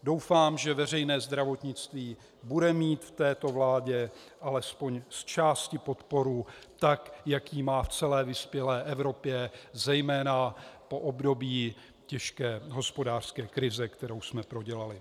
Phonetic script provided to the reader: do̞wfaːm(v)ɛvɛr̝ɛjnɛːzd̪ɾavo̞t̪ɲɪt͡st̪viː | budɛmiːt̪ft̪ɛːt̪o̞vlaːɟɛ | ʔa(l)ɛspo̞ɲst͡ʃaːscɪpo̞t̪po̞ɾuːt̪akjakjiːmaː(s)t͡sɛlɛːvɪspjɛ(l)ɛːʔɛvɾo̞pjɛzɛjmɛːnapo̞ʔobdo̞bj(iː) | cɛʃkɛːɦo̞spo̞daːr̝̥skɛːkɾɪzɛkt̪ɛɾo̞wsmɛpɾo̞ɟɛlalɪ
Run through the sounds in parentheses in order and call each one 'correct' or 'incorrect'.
incorrect, correct, incorrect, correct, correct

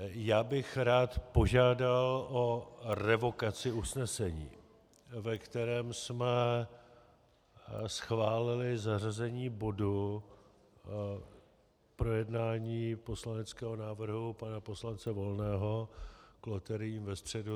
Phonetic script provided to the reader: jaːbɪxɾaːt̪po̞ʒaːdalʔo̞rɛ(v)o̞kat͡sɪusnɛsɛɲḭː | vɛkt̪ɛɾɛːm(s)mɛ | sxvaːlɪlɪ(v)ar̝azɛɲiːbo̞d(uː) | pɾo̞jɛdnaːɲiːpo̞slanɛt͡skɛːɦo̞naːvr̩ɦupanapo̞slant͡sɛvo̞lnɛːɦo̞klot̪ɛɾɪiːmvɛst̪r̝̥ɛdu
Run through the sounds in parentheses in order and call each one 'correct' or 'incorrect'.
correct, correct, incorrect, incorrect

